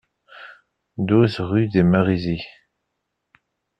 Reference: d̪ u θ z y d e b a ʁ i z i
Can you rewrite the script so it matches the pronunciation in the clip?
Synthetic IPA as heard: d̪ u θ ʁ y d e m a ʁ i z i